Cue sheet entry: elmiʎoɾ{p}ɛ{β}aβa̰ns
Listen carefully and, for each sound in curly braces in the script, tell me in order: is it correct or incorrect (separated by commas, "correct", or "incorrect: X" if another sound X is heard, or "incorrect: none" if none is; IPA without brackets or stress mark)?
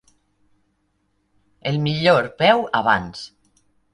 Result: correct, incorrect: w